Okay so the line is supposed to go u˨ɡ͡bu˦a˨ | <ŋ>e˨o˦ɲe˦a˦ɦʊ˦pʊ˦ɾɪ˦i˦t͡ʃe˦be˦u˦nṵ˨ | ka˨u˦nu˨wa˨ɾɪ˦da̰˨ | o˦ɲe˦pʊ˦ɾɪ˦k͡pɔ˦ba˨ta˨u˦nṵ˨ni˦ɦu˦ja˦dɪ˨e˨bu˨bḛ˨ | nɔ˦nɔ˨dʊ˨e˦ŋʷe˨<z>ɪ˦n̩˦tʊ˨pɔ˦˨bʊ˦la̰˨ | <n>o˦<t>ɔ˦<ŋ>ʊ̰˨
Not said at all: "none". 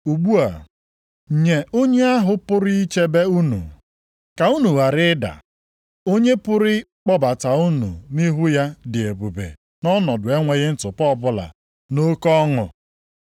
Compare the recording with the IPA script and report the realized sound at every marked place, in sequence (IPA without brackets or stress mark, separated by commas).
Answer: ɲ, ɣ, n, k, ŋ